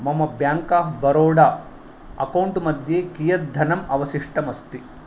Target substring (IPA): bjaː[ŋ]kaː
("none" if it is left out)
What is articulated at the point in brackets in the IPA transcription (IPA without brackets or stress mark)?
ŋ